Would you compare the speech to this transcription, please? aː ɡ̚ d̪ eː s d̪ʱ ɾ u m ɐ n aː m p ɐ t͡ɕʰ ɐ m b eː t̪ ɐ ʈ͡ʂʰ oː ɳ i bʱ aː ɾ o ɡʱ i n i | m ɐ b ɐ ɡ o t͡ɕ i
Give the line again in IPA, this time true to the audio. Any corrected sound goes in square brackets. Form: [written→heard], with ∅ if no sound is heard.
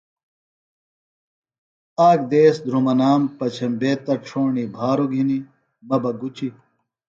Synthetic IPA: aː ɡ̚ d̪ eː s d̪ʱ ɾ u m ɐ n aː m p ɐ t͡ɕʰ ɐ m b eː t̪ ɐ ʈ͡ʂʰ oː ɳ i bʱ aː ɾ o ɡʱ i n i | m ɐ b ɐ ɡ [o→u] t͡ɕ i